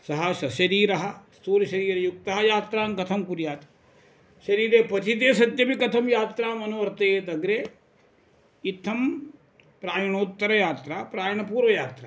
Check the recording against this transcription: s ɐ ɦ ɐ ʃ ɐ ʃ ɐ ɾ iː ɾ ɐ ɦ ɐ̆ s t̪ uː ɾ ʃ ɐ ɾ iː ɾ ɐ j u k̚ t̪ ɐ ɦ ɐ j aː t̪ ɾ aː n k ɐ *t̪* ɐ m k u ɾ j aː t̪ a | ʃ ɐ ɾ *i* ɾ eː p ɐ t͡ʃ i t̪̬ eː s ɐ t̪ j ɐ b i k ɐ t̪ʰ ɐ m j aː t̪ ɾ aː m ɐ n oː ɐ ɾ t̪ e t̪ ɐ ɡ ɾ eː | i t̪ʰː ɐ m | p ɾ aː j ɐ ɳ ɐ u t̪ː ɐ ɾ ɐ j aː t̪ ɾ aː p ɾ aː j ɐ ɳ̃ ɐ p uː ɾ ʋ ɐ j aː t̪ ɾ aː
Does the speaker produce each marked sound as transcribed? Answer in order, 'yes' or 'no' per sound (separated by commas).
no, no